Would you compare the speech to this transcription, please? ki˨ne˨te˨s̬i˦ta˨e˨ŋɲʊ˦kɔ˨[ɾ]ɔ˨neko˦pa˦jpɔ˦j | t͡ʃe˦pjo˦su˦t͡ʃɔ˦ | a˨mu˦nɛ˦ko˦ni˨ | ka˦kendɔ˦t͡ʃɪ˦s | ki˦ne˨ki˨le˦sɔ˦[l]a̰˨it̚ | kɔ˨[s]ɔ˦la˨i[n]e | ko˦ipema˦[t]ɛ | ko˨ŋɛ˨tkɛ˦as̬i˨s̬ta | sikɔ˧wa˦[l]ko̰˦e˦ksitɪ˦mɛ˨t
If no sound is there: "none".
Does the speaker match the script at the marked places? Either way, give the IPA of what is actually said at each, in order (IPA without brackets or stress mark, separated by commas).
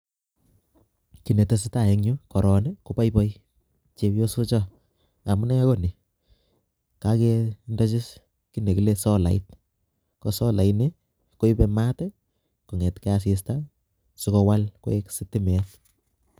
ɾ, l, s, n, t, l